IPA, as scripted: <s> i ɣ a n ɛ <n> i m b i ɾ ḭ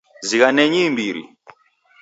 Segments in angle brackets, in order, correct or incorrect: incorrect, incorrect

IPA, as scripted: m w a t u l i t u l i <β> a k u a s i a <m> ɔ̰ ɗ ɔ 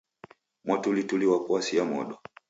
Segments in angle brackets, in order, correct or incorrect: incorrect, correct

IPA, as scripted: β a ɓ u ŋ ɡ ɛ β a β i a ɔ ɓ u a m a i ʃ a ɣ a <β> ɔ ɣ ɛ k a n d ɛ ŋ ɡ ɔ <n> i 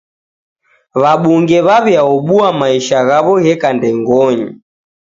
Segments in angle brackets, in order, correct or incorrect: correct, incorrect

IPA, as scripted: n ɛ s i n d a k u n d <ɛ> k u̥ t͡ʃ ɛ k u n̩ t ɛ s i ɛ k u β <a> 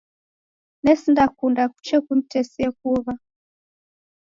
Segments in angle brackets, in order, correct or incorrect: incorrect, correct

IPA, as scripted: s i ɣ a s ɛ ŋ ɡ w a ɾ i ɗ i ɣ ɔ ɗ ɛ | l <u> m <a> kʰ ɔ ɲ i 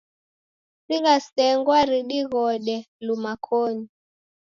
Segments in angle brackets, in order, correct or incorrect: correct, correct

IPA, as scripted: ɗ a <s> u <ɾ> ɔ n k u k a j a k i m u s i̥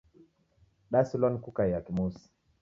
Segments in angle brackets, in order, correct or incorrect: correct, incorrect

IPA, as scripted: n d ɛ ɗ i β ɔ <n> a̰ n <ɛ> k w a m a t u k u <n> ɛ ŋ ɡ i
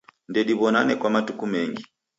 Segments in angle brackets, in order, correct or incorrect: correct, correct, incorrect

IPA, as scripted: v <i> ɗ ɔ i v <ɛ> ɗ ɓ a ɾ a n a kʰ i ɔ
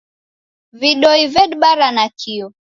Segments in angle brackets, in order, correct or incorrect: correct, correct

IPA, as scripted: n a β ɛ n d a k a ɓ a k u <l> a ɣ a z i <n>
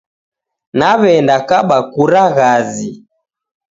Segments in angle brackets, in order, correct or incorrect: incorrect, incorrect

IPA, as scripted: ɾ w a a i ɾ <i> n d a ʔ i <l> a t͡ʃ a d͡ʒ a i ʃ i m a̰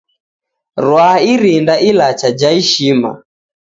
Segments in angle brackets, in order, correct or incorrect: correct, correct

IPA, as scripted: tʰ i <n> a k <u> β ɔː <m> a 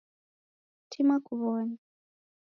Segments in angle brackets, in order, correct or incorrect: incorrect, correct, incorrect

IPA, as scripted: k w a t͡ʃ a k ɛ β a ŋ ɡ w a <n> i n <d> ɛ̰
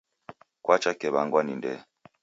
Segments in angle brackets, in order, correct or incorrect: correct, correct

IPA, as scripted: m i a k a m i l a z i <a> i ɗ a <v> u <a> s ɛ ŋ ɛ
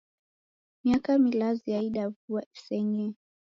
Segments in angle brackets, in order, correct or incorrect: correct, correct, correct

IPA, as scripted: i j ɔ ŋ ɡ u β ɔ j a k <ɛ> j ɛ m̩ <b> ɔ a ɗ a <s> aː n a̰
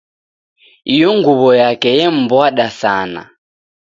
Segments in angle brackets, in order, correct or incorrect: correct, correct, correct

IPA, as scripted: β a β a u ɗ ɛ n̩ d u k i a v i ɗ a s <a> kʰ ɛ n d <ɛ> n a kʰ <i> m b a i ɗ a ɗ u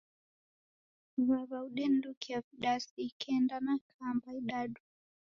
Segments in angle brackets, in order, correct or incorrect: incorrect, incorrect, incorrect

